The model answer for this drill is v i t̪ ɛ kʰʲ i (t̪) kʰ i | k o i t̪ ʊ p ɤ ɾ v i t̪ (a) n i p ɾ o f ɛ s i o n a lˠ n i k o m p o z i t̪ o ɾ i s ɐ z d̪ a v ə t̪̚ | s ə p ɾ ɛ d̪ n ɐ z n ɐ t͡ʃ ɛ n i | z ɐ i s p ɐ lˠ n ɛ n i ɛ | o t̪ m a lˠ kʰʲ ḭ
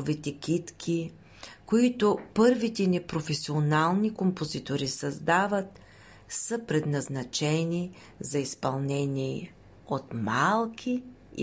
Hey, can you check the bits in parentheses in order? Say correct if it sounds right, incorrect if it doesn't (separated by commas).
correct, incorrect